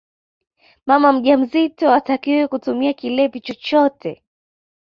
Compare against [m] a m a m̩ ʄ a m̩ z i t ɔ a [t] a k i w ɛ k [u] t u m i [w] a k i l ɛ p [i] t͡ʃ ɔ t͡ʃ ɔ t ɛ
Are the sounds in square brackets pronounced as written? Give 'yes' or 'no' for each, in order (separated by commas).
yes, yes, yes, no, yes